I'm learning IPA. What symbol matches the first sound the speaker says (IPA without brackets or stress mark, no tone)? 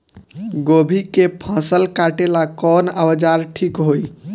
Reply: ɡ